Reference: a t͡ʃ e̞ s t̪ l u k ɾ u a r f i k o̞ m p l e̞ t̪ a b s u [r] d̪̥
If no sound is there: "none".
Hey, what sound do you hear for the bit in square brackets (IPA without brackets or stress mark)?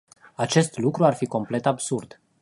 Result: r